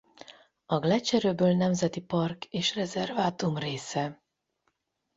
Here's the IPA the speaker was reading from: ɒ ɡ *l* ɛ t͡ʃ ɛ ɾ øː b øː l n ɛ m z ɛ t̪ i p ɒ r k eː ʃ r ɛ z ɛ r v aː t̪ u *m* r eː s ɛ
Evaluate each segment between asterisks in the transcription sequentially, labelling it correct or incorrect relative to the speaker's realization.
correct, correct

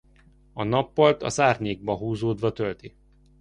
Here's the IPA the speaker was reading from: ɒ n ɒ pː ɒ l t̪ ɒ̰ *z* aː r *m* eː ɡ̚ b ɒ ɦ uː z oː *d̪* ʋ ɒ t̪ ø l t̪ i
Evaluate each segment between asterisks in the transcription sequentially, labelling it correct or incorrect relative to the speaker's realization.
correct, incorrect: ɲ, correct

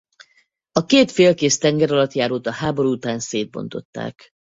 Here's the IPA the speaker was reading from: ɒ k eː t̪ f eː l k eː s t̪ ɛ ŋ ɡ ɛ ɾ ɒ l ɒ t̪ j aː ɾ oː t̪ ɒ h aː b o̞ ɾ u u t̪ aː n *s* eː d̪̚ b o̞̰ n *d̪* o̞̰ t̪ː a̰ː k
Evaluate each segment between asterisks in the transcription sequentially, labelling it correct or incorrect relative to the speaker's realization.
correct, incorrect: t̪

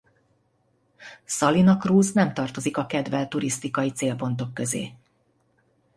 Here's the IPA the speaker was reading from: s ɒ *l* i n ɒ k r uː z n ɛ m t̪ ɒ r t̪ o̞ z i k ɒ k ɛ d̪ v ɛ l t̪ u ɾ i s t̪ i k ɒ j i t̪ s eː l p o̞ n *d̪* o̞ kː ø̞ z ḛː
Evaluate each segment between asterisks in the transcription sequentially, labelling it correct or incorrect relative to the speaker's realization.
correct, incorrect: t̪

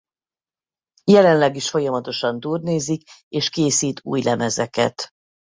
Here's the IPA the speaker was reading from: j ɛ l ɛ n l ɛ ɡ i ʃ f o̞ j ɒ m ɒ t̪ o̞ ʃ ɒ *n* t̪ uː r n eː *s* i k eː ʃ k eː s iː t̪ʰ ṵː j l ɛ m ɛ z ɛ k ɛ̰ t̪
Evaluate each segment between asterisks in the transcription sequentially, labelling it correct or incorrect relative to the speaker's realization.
correct, incorrect: z

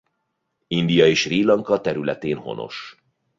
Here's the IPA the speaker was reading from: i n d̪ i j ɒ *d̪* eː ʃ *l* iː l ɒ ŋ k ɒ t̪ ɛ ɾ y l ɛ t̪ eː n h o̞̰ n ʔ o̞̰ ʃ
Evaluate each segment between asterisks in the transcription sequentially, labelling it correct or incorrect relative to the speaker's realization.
incorrect: none, incorrect: r

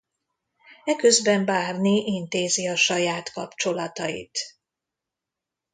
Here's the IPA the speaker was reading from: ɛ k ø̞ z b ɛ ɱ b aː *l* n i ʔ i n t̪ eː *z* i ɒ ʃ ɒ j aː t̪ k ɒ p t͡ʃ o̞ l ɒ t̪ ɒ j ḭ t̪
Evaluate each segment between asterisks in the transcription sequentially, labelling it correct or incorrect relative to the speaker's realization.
incorrect: r, correct

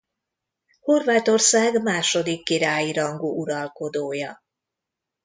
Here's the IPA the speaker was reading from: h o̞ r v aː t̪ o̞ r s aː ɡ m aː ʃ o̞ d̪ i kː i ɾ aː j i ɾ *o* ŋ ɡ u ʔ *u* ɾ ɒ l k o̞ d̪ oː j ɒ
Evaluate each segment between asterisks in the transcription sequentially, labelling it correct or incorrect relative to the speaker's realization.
incorrect: ɒ, correct

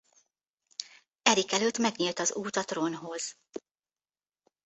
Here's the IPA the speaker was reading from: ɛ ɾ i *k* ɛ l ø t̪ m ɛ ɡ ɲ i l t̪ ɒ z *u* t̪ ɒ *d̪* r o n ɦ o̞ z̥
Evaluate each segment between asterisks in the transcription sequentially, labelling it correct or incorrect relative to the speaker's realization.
correct, incorrect: uː, incorrect: t̪

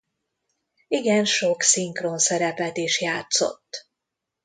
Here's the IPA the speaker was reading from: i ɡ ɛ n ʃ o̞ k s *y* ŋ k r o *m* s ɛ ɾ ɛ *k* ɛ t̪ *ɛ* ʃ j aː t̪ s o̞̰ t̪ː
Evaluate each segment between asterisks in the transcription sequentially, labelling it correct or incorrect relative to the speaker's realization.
incorrect: i, incorrect: n, incorrect: p, incorrect: i

